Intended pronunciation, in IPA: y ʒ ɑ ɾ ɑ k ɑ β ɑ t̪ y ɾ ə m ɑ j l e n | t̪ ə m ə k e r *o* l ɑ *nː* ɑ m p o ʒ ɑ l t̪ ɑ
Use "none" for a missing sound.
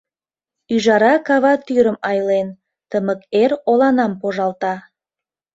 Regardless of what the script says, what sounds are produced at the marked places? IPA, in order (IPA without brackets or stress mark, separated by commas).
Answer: o, n